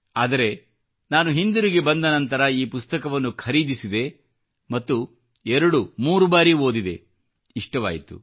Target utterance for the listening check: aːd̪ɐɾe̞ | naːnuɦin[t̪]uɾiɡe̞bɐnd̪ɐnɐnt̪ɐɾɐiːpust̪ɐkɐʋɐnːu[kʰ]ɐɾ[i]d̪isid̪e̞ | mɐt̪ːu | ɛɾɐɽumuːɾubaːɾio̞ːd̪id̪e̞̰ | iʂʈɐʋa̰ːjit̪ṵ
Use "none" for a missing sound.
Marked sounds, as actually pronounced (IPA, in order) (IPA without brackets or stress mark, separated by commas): d̪, kʰ, iː